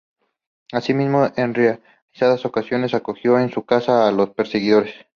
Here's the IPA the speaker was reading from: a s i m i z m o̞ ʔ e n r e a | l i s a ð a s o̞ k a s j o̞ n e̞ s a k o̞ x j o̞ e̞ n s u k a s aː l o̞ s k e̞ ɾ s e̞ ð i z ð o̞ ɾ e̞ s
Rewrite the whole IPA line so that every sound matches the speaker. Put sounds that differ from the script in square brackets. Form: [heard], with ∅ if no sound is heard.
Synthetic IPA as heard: a s i m i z m o̞ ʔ e n r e a | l i s a ð a s o̞ k a s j o̞ n e̞ s a k o̞ x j o̞ e̞ n s u k a s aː l o̞ s [p] e̞ ɾ s e̞ [ɣ] i [∅] ð o̞ ɾ e̞ s